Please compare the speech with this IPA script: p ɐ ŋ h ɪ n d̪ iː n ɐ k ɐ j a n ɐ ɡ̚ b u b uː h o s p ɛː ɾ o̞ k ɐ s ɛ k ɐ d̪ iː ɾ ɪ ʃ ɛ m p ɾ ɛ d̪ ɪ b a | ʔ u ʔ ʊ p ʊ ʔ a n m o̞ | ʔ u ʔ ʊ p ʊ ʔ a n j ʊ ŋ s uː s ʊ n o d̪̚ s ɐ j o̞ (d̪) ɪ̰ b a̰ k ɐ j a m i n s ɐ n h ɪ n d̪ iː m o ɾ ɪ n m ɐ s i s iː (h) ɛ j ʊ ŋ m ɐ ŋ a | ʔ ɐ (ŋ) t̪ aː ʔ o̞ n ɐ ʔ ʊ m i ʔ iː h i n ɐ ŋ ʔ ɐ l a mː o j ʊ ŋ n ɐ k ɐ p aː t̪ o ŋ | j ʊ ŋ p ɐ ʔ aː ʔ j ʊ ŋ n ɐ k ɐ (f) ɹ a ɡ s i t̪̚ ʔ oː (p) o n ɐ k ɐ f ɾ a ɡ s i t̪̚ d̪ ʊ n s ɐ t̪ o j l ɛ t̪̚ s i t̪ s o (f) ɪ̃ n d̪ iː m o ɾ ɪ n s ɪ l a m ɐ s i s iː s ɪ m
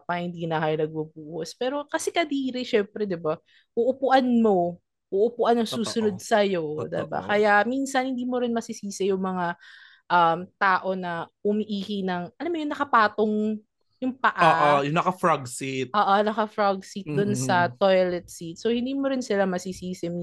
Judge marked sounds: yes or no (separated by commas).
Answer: yes, no, no, yes, no, no